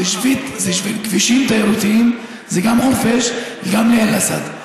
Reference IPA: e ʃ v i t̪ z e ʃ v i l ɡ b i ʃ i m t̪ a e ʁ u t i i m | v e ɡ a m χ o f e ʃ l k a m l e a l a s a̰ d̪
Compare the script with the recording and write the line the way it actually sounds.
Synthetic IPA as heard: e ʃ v i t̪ z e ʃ v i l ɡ v i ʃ i m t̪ a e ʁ u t i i m | z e ɡ a m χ o f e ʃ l ɡ a m l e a l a s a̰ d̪

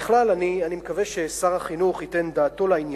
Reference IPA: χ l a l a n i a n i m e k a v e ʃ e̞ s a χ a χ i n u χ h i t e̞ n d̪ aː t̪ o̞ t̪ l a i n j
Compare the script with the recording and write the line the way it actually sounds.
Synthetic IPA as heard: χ l a l a n i a n i m e k a v e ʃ e̞ s a ʁ a χ i n u χ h i t e̞ n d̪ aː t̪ o̞ l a i n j

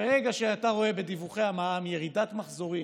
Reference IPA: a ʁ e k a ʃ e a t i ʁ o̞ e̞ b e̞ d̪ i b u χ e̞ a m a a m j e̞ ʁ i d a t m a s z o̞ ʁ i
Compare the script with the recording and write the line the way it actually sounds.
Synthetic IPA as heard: e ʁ e ɡ a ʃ e a t a ʁ o̞ e̞ b e̞ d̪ i v u χ e̞ a m a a m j e̞ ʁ i d a t m a χ z o̞ ʁ i

